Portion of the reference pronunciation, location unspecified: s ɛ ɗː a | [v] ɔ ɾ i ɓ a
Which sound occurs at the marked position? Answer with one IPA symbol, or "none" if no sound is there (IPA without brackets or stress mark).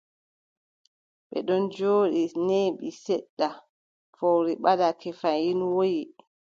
f